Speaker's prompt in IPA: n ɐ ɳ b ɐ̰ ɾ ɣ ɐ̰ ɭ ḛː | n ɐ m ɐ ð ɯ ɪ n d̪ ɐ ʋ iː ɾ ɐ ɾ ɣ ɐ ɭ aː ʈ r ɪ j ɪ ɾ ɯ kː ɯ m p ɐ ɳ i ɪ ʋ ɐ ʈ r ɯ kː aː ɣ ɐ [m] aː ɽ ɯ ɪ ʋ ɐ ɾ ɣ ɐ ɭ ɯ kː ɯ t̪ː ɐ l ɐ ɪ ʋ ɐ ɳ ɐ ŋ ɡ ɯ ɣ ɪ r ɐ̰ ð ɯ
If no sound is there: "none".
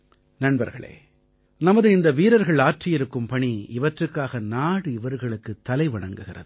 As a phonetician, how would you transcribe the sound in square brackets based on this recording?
n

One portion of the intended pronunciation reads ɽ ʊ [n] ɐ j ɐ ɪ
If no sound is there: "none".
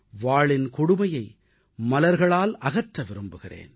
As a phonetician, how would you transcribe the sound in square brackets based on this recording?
m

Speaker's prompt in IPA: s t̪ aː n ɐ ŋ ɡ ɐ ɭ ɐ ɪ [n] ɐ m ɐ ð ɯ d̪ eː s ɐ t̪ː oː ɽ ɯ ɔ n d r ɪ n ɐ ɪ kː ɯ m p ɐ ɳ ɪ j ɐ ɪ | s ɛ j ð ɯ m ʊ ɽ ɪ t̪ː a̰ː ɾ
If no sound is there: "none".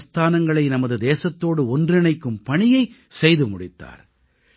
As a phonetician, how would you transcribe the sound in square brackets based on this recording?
n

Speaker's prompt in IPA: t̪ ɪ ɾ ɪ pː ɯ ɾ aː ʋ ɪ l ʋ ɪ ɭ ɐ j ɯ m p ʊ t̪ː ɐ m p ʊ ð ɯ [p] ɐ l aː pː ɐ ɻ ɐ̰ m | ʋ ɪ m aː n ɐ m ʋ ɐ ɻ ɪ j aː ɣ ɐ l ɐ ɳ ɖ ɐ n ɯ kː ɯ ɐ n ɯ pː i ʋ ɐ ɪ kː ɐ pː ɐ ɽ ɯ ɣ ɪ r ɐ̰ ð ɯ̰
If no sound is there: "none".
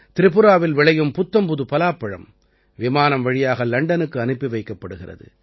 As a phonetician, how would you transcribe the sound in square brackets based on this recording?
p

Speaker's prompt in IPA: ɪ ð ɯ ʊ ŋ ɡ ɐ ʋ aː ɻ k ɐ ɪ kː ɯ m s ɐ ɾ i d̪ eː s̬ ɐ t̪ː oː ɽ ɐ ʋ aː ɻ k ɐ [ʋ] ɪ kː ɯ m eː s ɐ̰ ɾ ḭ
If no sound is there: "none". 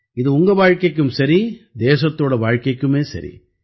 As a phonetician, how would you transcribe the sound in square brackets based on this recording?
none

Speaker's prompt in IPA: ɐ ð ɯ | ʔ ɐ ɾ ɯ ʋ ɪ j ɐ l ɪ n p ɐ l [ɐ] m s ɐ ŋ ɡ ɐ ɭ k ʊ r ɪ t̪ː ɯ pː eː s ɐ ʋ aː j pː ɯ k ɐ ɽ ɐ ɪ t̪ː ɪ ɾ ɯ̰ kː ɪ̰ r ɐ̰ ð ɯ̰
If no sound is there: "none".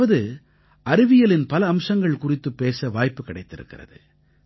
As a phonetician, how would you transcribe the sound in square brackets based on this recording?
ɐː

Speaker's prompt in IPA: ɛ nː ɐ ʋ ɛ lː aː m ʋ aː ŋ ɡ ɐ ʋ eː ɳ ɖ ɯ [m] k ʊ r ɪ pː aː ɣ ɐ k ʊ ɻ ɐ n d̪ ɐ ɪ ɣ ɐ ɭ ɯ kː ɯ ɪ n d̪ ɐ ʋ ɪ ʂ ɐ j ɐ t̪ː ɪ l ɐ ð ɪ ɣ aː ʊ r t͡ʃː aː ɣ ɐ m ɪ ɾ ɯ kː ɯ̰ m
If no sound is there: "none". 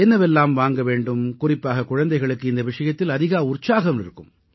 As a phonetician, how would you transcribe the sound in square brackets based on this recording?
m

